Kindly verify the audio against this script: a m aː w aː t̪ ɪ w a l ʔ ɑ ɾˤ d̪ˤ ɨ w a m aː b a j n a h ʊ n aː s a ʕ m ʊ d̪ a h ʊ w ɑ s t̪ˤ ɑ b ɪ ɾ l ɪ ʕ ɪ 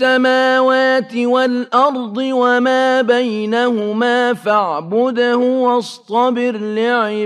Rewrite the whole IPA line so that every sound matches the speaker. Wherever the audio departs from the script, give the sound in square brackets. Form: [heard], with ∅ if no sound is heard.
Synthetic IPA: a m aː w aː t̪ ɪ w a l ʔ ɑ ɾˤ d̪ˤ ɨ w a m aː b a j n a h ʊ [m] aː [f] a ʕ [b] ʊ d̪ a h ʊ w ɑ s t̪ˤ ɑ b ɪ ɾ l ɪ ʕ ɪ